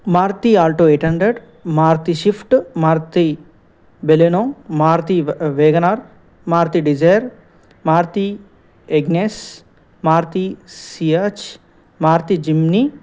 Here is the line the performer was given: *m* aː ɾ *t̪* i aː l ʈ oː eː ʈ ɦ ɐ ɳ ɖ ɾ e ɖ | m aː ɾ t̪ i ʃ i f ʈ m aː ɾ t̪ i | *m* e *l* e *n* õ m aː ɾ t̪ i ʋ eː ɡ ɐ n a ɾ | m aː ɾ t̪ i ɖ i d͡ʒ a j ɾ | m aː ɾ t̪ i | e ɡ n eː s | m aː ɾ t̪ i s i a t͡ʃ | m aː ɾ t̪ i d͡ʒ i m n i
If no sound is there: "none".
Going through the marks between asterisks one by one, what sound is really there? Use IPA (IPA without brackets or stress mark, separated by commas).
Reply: m, t̪, b, l, n